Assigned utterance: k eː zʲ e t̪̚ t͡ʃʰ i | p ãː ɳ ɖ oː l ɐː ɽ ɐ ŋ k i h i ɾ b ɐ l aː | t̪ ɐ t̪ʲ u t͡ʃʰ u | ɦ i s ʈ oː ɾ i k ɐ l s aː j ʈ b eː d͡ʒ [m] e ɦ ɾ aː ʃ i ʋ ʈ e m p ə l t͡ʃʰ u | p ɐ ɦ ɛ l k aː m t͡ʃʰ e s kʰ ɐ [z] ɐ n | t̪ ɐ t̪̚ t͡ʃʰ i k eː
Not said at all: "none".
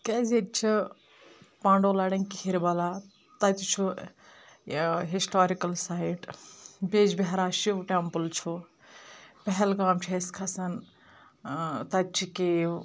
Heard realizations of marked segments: b, s

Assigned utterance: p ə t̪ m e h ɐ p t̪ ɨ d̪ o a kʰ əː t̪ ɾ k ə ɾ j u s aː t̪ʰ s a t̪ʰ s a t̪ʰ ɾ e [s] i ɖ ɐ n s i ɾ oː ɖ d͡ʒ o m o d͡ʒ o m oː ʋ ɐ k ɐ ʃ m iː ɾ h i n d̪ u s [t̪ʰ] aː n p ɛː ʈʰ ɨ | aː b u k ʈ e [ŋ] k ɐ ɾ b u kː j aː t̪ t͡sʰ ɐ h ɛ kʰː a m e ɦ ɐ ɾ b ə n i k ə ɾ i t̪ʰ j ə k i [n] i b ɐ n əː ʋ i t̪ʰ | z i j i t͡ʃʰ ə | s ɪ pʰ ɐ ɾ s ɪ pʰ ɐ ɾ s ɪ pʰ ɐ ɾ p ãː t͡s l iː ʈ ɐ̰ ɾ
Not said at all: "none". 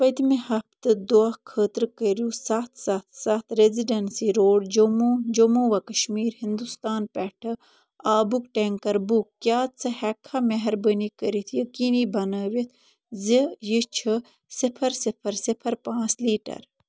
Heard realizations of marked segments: z, t̪, ŋ, n

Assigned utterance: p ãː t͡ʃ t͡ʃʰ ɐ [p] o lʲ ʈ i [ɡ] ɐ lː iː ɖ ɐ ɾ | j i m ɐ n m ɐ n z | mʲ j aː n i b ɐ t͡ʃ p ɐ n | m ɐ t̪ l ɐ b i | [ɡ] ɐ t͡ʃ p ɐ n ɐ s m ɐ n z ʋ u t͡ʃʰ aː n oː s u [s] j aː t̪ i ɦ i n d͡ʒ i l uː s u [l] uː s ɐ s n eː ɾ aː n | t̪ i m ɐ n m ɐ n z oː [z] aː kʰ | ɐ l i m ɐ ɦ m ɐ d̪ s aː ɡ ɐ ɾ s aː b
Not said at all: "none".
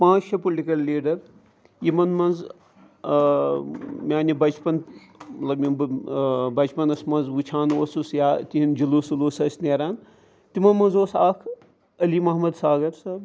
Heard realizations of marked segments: p, k, b, s, l, s

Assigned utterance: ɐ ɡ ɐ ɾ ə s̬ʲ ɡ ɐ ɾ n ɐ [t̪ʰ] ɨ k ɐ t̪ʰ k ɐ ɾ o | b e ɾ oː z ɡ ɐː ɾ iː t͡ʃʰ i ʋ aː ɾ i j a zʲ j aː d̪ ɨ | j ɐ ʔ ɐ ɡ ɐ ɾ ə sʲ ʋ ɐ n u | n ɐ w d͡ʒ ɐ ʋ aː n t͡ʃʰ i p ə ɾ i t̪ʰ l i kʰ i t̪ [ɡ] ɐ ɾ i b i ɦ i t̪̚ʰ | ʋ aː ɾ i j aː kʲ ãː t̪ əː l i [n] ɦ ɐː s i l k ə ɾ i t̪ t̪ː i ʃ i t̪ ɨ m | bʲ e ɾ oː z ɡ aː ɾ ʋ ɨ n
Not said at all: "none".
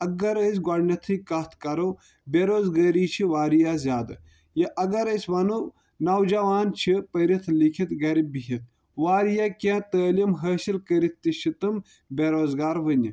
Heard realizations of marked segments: t̪ʰ, ɡ, m

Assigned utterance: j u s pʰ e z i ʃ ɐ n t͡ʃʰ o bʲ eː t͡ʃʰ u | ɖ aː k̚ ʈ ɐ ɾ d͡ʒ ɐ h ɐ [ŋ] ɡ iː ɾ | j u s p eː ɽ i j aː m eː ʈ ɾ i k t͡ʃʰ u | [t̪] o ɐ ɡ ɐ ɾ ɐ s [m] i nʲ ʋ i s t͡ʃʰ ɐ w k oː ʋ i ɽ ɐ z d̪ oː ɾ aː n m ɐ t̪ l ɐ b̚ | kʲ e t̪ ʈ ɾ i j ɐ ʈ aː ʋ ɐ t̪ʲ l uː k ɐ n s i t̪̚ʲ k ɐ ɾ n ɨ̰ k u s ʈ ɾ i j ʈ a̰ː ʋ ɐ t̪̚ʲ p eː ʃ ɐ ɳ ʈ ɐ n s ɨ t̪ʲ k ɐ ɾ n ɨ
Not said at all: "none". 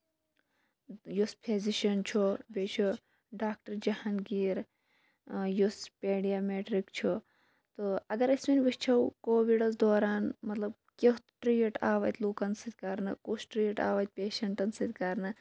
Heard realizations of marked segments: n, t̪, m

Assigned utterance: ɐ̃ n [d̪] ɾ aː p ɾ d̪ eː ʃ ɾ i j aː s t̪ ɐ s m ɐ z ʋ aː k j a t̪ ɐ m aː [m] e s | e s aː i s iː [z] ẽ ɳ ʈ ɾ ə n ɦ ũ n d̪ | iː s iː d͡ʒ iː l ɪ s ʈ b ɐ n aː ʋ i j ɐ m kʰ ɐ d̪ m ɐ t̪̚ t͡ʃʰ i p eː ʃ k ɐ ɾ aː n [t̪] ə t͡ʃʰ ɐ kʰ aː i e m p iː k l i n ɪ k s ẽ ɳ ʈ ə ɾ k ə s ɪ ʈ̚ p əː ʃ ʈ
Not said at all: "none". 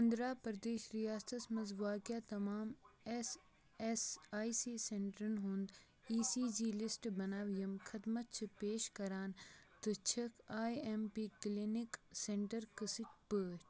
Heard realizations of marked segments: d̪, m, s, t̪

